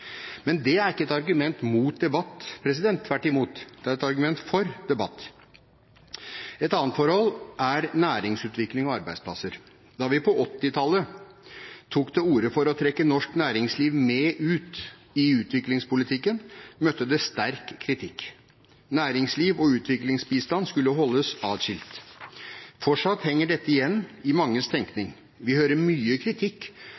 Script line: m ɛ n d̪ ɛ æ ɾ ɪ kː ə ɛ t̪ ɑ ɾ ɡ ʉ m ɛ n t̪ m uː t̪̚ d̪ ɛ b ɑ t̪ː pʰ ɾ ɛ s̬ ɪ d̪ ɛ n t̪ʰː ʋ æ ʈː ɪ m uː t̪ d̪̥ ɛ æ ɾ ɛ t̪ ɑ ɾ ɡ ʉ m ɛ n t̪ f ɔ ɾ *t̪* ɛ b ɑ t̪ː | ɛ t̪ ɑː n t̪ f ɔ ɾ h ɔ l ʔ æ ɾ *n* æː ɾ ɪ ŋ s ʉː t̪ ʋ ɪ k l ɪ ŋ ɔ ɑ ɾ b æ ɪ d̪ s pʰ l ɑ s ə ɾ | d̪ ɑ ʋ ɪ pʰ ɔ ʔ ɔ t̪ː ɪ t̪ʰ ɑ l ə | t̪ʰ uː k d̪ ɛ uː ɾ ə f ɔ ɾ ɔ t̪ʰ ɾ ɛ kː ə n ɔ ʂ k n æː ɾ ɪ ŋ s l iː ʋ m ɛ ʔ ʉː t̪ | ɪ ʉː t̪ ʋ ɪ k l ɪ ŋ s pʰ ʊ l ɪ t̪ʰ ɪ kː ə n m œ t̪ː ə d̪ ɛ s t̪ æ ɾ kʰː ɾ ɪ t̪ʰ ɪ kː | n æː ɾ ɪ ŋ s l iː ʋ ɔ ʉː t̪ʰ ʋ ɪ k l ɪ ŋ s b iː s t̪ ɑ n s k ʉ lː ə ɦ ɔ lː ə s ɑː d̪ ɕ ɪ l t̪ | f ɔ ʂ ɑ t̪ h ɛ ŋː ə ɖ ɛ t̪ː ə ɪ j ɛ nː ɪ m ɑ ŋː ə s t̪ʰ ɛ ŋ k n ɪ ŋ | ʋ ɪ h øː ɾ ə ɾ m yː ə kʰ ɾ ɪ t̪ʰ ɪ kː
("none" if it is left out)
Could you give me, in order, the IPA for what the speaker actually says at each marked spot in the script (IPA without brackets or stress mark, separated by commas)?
d̪, n